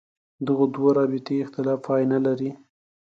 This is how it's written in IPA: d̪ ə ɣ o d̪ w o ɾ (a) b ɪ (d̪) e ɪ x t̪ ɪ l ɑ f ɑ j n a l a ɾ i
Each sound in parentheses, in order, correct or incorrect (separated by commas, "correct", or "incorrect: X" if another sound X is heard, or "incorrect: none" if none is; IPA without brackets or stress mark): incorrect: ɑ, incorrect: t̪